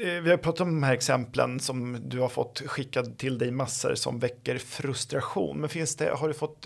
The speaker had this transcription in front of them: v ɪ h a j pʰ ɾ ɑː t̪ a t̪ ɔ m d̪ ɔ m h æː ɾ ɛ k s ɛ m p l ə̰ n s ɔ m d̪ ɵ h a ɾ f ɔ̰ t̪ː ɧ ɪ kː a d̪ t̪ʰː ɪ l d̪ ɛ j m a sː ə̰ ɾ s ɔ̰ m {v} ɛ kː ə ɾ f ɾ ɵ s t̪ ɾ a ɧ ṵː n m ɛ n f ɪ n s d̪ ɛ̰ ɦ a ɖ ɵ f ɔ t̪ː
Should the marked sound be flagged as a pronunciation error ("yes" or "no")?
no